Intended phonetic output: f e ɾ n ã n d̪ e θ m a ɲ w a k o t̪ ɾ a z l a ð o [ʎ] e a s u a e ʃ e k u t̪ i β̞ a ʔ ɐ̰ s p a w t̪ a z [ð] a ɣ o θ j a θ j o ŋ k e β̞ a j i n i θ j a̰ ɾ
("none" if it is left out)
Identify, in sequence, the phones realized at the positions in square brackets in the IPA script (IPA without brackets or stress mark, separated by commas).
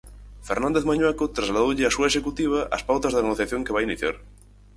ʎ, ð